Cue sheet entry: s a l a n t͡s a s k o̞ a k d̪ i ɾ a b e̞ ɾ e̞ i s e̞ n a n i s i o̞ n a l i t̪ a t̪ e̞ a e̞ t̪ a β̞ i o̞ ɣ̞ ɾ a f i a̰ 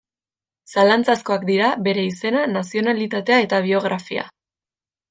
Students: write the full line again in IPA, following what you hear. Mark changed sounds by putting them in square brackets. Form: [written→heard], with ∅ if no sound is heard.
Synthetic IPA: s a l a n t͡s a s k o̞ a k d̪ i ɾ a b e̞ ɾ e̞ i s e̞ n a n [i→a] s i o̞ n a l i t̪ a t̪ e̞ a e̞ t̪ a β̞ i o̞ ɣ̞ ɾ a f i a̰